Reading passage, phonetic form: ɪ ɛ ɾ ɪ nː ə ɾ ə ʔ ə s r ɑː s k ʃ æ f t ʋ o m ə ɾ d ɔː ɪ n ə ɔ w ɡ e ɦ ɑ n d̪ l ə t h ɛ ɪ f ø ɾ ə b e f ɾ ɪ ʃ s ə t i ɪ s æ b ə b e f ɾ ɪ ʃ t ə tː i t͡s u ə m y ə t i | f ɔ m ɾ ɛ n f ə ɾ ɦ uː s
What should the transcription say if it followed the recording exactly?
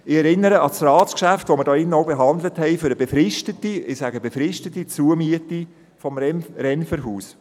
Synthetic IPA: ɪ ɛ ɾ ɪ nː ə ɾ ə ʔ ɑ s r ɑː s k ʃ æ f t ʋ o m ə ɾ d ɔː ɪ n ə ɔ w b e ɦ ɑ n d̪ l ə t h ɛ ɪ f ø ɾ ə b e f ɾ ɪ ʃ t ə t i ɪ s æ ɡ ə b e f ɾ ɪ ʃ t ə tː i t͡s u ə m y ə t i | f ɔ m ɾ ɛ n f ə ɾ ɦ uː s